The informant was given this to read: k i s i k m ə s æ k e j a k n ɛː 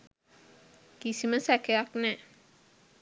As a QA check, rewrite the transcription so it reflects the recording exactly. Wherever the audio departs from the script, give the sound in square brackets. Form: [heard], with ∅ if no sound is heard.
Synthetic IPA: k i s i [∅] m ə s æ k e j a k n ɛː